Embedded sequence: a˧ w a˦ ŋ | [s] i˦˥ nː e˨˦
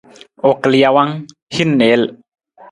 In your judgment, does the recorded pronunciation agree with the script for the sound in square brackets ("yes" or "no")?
no